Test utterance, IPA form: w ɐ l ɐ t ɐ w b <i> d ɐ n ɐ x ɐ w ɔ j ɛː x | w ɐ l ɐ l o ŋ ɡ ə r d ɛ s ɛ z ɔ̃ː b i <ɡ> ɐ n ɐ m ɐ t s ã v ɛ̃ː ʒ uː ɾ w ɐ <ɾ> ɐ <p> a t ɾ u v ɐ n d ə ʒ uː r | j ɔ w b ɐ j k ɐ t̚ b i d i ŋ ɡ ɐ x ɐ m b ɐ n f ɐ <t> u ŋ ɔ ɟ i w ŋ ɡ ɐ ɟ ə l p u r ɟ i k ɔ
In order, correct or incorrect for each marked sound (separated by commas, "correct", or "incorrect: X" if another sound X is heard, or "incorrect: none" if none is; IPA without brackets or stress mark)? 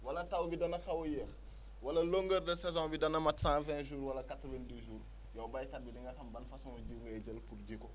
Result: correct, incorrect: d, incorrect: l, incorrect: k, incorrect: s